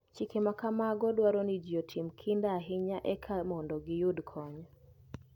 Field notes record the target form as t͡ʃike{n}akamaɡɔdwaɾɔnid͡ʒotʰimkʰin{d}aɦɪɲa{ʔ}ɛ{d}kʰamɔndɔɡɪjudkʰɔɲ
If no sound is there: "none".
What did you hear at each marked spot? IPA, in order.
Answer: m, d, ʔ, none

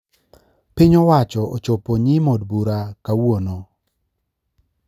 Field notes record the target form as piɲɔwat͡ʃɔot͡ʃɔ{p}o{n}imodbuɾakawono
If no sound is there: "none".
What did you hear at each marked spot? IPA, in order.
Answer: p, ɲ

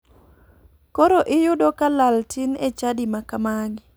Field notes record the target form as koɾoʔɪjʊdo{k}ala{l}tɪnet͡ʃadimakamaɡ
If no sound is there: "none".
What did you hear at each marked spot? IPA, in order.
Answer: k, l

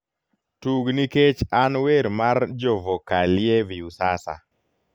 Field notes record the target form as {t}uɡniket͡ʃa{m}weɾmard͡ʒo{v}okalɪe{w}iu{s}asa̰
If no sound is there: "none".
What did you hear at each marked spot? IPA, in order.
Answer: t, n, v, v, s

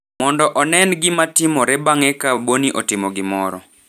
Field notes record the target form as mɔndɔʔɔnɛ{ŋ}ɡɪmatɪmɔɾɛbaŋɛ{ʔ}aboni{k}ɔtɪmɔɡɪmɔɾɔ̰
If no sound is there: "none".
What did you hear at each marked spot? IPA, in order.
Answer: n, k, ʔ

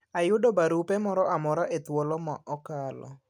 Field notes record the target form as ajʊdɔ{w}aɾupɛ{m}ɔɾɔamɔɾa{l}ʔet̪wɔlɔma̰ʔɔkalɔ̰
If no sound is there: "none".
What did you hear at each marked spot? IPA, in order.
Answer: b, m, none

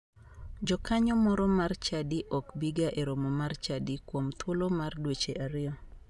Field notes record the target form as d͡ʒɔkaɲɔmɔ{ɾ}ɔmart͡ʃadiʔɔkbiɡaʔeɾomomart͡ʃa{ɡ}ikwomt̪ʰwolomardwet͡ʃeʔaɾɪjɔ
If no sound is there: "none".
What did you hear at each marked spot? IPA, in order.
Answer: ɾ, d

